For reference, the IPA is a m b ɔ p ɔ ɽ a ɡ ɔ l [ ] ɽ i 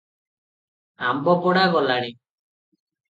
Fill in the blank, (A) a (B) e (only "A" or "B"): A